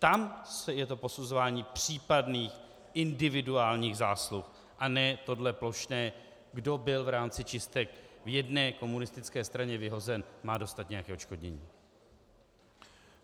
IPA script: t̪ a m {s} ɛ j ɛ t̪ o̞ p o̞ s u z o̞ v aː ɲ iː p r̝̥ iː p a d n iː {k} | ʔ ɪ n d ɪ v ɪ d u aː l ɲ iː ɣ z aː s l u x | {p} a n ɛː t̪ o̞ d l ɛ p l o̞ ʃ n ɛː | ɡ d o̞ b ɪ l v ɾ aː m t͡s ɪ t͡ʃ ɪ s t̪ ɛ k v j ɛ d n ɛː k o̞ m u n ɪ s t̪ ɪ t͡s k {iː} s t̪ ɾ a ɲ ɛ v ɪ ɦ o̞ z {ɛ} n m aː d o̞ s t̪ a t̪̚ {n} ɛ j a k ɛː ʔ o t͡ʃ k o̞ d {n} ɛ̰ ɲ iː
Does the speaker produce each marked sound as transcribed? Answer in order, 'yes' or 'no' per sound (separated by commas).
yes, no, no, no, yes, no, no